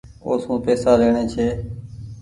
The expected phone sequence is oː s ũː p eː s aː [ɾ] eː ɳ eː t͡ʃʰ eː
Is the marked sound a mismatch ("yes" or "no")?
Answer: no